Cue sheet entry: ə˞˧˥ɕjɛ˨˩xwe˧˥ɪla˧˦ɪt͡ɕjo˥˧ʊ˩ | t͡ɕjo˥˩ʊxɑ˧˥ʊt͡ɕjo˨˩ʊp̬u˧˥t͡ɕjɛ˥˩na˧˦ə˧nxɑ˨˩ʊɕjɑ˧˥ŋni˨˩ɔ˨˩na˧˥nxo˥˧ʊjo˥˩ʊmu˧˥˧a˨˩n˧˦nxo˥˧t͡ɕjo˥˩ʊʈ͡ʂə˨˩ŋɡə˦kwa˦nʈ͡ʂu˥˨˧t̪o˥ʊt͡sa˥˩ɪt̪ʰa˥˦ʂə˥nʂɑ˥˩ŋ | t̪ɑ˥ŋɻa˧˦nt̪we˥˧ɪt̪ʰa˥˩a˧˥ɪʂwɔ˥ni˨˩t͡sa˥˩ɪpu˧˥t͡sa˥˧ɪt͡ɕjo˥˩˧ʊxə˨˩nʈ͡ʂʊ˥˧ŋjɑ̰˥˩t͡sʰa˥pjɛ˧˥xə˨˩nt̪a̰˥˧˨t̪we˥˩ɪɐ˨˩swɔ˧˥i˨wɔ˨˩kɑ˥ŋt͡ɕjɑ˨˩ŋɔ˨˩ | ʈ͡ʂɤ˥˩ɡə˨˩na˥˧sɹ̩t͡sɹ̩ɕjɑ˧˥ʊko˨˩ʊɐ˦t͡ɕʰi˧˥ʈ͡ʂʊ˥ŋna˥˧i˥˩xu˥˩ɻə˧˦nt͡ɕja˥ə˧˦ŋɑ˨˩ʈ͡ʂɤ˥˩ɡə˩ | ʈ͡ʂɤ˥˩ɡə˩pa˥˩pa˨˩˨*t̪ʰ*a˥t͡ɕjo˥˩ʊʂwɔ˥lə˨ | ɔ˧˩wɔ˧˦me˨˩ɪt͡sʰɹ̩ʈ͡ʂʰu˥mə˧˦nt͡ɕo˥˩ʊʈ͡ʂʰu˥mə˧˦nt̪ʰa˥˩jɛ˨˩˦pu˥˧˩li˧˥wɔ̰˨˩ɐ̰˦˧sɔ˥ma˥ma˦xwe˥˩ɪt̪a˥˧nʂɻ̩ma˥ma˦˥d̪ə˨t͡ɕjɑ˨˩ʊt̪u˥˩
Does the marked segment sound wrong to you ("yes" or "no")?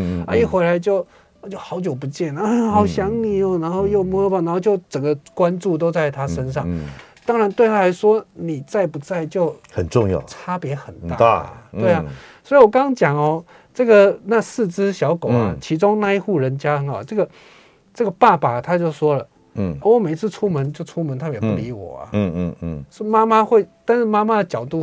no